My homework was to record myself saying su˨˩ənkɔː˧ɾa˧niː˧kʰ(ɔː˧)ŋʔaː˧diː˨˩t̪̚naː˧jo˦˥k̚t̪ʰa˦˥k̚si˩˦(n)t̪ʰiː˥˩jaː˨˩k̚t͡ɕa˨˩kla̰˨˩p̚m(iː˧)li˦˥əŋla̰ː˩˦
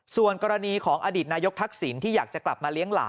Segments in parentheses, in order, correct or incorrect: incorrect: ɔː˩˦, correct, incorrect: aː˧

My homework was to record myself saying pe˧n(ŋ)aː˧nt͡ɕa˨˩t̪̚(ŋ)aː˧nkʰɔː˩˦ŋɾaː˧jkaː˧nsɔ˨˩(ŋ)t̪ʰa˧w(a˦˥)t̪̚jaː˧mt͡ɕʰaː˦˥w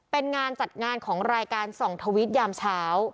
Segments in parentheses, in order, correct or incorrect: correct, correct, correct, incorrect: i˦˥

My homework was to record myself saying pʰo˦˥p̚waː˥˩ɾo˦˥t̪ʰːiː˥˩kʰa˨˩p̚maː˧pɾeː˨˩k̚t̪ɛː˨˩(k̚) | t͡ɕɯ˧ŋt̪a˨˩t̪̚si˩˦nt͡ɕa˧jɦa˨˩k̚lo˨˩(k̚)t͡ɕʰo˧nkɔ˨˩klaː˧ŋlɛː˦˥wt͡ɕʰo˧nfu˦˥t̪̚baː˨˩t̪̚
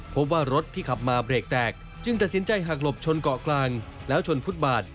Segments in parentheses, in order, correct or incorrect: correct, incorrect: p̚

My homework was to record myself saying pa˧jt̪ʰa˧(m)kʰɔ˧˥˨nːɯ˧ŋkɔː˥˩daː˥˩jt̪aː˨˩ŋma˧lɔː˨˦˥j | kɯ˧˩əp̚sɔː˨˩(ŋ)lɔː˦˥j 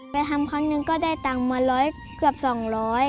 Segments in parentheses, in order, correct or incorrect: correct, correct

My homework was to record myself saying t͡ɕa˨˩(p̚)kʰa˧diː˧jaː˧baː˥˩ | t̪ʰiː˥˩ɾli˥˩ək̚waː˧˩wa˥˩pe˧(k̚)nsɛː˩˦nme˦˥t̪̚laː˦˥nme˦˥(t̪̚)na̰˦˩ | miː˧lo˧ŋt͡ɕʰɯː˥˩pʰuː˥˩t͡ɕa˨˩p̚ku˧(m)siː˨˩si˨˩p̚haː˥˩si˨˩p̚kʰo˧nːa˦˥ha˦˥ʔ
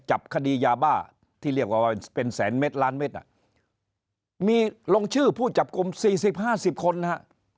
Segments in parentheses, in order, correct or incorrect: correct, incorrect: none, correct, correct

